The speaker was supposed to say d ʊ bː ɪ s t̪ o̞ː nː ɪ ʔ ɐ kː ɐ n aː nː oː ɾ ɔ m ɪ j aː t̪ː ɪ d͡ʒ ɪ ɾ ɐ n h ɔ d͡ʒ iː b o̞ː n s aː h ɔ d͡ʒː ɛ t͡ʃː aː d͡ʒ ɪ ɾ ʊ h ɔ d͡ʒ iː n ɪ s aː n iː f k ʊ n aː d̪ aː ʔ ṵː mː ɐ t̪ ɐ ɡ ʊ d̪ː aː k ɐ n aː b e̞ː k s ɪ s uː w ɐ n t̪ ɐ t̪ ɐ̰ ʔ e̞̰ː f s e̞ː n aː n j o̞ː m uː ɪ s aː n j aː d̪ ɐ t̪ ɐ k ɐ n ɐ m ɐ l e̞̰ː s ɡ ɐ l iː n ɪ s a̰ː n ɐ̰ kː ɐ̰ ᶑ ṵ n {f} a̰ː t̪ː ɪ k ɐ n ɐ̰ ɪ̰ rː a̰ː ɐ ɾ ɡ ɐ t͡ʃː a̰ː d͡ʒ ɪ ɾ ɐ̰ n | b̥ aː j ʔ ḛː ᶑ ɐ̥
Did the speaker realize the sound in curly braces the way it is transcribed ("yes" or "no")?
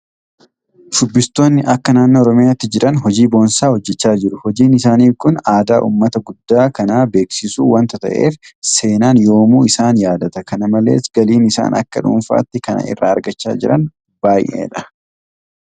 yes